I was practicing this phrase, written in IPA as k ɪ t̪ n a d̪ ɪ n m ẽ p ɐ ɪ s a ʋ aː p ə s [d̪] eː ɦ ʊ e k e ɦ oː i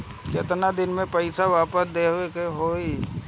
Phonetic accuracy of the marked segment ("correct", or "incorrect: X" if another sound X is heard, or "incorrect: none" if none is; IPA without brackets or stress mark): correct